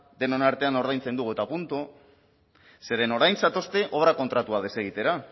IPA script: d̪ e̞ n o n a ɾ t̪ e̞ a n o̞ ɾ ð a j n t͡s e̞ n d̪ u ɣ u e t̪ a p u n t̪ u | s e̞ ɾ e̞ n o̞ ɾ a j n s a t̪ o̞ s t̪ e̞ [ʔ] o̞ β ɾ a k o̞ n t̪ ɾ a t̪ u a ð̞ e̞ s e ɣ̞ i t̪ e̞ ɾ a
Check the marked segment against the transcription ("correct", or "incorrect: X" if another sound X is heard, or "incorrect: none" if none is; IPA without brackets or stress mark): correct